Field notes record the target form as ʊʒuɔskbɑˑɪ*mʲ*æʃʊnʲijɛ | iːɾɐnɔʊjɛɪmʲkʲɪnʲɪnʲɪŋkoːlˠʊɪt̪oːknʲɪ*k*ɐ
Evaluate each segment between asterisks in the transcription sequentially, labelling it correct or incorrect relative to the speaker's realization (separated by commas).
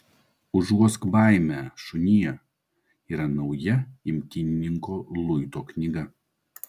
correct, incorrect